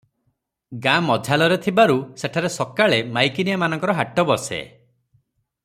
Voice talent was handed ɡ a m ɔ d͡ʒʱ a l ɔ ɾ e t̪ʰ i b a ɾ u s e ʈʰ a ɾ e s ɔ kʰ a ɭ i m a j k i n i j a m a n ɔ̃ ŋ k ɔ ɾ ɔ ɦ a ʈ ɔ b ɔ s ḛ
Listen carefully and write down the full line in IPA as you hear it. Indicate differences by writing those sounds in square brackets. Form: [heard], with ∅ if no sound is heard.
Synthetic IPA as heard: ɡ a m ɔ d͡ʒʱ a l ɔ ɾ e t̪ʰ i b a ɾ u s e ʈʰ a ɾ e s ɔ [k] a ɭ [e] m a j k i n i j a m a n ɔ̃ ŋ k ɔ ɾ ɔ ɦ a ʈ ɔ b ɔ s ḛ